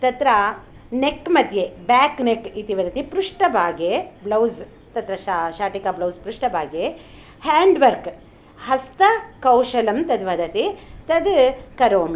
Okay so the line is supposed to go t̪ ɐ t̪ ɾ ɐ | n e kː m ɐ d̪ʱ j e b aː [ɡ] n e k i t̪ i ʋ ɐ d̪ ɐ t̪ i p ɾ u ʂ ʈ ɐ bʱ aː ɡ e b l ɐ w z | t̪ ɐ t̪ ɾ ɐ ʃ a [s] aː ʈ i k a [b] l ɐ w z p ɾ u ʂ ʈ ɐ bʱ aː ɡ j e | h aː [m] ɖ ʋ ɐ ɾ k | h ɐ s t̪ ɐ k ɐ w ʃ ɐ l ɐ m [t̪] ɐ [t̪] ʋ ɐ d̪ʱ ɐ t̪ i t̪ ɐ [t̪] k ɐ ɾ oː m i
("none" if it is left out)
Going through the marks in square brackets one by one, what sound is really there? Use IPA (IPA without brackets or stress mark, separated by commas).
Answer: k, ʃ, b, ɳ, t̪, d̪, d̪